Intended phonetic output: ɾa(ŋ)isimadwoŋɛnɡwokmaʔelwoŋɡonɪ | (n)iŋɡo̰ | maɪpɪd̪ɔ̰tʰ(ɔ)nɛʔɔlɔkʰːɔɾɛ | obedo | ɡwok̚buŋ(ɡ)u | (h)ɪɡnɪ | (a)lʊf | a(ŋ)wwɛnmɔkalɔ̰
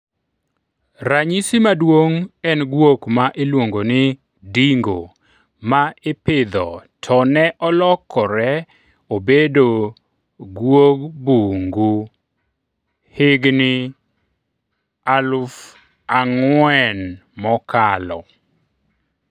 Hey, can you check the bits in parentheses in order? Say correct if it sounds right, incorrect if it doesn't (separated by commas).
incorrect, incorrect, correct, correct, correct, correct, correct